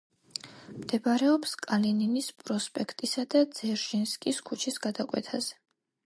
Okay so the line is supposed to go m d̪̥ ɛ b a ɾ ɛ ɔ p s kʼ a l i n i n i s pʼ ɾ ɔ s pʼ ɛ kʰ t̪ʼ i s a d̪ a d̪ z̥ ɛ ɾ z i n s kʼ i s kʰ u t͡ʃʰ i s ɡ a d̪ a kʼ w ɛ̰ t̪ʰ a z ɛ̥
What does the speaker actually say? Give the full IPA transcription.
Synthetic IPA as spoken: m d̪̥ ɛ b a ɾ ɛ ɔ p s kʼ a l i n i n i s pʼ ɾ ɔ s pʼ ɛ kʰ t̪ʼ i s a d̪ a d̪ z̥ ɛ ɾ ʒ i n s kʼ i s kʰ u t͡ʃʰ i s ɡ a d̪ a kʼ w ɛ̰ t̪ʰ a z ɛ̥